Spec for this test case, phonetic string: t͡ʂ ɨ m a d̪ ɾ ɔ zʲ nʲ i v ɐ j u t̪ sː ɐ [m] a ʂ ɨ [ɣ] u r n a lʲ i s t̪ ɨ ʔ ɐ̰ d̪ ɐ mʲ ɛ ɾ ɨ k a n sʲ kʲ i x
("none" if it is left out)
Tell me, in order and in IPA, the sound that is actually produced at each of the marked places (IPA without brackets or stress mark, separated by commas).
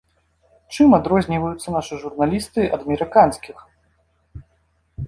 n, ʐ